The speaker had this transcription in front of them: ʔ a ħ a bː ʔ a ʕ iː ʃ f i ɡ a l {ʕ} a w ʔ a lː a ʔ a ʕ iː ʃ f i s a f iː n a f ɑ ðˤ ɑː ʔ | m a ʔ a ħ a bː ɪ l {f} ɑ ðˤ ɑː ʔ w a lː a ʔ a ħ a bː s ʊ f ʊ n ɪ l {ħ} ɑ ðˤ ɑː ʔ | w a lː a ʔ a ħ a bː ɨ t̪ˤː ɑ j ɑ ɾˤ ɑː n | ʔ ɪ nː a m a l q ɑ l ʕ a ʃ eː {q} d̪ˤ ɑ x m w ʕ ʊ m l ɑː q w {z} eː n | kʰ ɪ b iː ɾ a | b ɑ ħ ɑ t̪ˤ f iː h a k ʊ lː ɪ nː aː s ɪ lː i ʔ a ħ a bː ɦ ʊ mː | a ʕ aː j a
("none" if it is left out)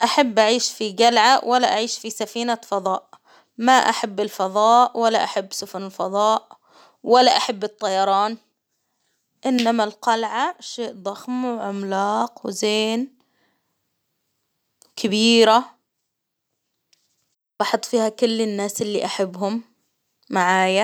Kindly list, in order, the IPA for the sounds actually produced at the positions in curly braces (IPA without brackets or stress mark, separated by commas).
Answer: ʕ, f, f, ʔ, z